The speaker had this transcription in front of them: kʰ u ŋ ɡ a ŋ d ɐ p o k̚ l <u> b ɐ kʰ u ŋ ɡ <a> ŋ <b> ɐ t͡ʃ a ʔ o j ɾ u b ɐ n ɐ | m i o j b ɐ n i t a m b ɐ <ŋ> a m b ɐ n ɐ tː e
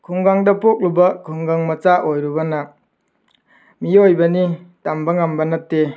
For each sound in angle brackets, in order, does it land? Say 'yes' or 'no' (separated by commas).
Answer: yes, yes, no, yes